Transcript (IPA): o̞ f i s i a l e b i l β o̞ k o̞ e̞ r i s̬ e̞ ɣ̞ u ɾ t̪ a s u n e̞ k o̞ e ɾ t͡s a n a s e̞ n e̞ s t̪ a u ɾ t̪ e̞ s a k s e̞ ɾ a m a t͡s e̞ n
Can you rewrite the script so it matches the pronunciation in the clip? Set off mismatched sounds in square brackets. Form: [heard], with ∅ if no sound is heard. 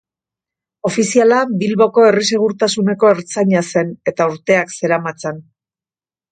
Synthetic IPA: o̞ f i s i a l [a] b i l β o̞ k o̞ e̞ r i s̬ e̞ ɣ̞ u ɾ t̪ a s u n e̞ k o̞ e ɾ t͡s a [ɲ] a s e̞ n e̞ [∅] t̪ a u ɾ t̪ e̞ [∅] a k s e̞ ɾ a m a t͡s e̞ n